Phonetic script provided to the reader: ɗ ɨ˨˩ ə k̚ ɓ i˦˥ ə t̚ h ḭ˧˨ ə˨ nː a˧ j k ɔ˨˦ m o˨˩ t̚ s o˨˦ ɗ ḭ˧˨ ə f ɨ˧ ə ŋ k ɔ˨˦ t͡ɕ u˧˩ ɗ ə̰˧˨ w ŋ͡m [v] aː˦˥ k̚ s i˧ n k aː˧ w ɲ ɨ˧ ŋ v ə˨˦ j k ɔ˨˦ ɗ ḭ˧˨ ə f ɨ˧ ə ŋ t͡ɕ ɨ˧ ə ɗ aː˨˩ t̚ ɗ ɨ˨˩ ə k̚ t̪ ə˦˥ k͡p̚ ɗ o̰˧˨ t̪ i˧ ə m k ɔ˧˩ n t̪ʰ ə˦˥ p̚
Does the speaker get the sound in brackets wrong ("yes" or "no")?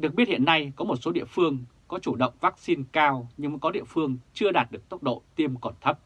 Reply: no